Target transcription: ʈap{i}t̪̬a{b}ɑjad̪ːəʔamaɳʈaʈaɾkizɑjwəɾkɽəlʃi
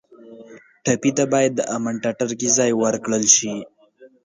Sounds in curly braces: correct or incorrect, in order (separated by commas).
correct, correct